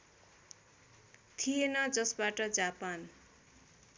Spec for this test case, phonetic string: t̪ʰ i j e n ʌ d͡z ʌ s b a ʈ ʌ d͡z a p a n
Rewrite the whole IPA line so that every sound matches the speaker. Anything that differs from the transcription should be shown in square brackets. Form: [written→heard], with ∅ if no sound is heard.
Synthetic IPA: t̪ʰ i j e n ʌ d͡z ʌ s b a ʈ ʌ d͡z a p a n